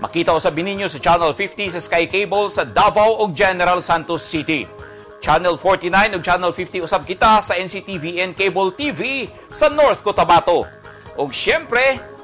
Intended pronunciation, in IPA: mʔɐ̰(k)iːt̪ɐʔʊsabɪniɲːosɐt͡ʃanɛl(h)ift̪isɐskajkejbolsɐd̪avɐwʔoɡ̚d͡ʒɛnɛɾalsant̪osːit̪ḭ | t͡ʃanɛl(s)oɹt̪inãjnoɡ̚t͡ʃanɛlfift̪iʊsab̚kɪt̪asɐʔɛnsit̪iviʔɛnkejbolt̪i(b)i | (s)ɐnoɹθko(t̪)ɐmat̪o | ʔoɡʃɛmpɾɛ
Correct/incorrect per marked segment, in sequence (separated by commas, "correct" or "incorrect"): correct, incorrect, incorrect, incorrect, correct, correct